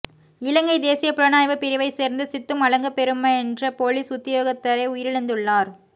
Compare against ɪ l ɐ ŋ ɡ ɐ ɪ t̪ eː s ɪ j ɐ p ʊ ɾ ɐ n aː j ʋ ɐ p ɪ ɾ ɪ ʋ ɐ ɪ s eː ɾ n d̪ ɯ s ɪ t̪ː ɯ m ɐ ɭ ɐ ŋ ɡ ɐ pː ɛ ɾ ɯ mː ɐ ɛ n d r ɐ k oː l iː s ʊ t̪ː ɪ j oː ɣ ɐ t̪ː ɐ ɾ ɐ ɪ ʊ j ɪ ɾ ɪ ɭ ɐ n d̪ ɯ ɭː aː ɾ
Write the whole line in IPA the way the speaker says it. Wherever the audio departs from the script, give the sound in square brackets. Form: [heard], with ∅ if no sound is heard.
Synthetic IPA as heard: ɪ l ɐ ŋ ɡ ɐ ɪ [d̪] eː s ɪ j ɐ p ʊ ɾ ɐ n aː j ʋ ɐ p ɪ ɾ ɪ ʋ ɐ ɪ s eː ɾ n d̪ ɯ s ɪ t̪ː ɯ m ɐ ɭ ɐ ŋ ɡ ɐ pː ɛ ɾ ɯ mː ɐ ɛ n d r ɐ [p] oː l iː s ʊ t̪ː ɪ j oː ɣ ɐ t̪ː ɐ ɾ ɐ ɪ ʊ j ɪ ɾ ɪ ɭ ɐ n d̪ ɯ ɭː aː ɾ